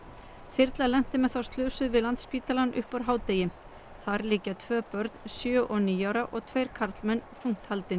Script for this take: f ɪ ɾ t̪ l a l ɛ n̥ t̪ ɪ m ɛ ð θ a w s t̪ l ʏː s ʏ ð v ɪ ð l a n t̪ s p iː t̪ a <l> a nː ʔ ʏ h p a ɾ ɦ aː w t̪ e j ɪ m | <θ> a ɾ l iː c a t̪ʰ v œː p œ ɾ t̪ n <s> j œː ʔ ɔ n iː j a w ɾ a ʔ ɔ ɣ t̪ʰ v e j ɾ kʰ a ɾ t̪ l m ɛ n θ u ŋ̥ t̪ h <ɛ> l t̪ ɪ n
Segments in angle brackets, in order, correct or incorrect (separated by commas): correct, correct, correct, incorrect